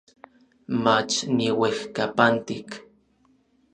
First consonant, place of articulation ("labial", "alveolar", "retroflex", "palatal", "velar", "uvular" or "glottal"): labial